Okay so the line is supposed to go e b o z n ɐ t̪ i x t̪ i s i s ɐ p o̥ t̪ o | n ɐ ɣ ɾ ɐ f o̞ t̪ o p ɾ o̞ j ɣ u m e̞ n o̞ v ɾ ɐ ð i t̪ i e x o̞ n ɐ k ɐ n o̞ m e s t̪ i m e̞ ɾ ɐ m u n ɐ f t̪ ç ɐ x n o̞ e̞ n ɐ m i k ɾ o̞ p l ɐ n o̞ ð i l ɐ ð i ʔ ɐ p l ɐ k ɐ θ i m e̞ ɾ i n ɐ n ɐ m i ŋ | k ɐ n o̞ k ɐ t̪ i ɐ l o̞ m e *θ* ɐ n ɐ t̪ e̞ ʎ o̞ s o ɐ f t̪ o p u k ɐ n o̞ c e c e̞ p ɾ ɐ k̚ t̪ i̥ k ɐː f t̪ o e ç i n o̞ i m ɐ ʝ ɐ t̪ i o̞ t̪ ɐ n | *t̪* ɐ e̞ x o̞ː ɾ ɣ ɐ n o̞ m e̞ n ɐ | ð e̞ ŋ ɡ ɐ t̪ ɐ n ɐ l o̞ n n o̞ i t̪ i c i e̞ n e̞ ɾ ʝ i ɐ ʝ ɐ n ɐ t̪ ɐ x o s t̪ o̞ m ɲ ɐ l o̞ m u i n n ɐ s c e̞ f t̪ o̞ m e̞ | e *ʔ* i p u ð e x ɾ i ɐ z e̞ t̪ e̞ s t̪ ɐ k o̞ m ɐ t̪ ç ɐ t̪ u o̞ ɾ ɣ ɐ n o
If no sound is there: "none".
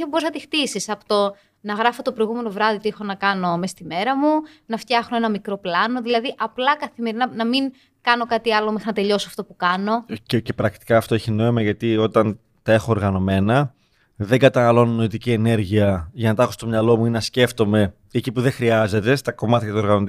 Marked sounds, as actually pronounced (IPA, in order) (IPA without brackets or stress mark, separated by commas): x, t̪, c